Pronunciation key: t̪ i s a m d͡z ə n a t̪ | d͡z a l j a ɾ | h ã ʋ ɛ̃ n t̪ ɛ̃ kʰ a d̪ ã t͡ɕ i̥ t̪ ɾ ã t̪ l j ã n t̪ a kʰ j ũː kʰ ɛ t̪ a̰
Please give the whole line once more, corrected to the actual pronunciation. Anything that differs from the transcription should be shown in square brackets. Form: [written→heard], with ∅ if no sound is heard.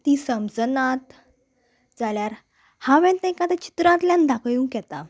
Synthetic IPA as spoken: t̪ i s [a→ə] m d͡z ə n a t̪ | d͡z a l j a ɾ | h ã ʋ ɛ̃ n t̪ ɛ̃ [kʰ→k] a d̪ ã t͡ɕ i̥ t̪ ɾ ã t̪ l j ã n [t̪→d̪] a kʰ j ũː [kʰ→k] ɛ t̪ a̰